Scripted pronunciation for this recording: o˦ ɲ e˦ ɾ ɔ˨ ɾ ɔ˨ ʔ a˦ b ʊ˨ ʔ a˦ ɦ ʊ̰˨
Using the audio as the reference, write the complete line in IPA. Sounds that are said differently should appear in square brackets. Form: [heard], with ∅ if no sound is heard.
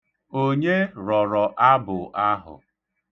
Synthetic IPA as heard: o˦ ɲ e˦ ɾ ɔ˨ ɾ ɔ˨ ʔ a˦ b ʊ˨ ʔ a˦ ɦ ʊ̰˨